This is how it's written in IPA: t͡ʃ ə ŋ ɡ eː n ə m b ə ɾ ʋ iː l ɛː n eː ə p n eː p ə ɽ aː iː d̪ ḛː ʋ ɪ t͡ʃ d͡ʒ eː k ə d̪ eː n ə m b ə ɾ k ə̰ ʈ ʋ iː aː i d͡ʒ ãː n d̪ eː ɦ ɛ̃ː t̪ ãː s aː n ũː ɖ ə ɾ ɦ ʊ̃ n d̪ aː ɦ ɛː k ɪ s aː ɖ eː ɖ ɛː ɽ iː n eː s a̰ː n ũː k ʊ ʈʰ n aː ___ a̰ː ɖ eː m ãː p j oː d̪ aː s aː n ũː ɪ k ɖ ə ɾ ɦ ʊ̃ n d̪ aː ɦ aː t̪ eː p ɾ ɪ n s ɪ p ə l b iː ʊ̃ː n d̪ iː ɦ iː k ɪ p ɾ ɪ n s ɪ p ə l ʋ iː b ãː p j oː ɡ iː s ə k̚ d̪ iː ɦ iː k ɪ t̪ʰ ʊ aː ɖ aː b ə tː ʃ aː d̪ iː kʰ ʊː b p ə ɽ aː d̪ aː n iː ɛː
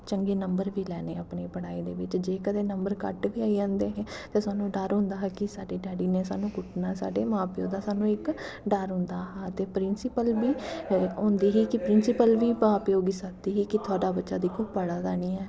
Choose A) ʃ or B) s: B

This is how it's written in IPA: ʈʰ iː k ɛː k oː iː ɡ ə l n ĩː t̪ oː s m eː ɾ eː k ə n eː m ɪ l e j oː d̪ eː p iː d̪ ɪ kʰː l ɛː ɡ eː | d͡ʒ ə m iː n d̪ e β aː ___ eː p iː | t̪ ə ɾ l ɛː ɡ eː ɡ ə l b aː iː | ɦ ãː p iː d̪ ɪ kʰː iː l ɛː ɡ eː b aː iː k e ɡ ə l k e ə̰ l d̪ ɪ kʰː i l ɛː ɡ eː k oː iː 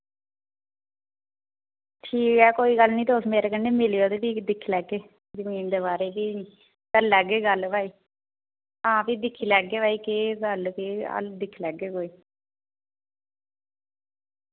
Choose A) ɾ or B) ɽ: A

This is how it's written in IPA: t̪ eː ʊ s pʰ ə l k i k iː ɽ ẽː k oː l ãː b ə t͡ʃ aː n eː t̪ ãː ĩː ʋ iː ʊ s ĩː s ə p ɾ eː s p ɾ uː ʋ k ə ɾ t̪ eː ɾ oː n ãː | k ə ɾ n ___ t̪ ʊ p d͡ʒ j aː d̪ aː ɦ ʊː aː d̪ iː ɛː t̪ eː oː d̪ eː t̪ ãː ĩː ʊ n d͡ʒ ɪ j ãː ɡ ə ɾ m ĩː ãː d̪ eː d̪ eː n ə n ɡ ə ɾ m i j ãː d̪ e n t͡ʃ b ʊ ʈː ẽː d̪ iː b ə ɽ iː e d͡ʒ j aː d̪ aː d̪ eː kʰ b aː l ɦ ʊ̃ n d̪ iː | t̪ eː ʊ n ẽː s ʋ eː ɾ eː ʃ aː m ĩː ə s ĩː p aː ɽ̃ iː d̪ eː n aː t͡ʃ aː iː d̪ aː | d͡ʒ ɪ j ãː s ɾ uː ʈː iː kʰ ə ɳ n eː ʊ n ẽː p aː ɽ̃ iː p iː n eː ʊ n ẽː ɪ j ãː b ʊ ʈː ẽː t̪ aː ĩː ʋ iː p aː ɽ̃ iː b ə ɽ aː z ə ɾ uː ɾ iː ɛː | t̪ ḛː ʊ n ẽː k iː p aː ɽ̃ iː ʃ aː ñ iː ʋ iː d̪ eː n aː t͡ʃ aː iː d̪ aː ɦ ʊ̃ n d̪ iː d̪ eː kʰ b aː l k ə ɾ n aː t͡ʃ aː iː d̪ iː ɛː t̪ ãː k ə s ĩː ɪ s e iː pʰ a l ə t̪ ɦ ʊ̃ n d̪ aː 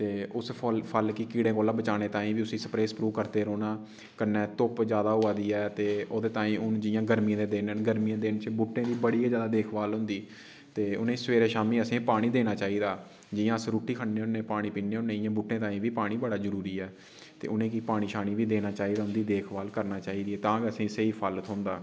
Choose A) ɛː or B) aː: A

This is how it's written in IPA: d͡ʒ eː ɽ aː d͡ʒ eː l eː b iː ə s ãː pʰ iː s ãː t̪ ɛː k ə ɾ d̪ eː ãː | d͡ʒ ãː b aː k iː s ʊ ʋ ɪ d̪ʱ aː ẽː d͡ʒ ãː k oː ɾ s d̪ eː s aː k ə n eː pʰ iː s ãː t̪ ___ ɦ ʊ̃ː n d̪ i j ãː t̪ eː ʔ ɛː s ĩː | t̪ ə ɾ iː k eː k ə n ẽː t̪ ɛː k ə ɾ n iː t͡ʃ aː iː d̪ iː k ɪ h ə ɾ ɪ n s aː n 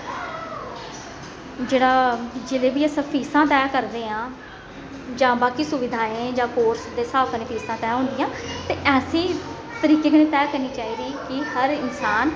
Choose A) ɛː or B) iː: A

